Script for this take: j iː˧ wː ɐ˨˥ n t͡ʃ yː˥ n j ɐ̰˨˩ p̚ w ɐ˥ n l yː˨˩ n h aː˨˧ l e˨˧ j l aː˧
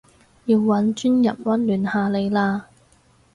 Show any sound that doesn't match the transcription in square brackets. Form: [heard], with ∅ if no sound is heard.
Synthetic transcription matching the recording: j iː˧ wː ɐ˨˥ n t͡ʃ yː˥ n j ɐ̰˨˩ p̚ w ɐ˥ n l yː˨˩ n h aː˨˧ l e˨˧ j l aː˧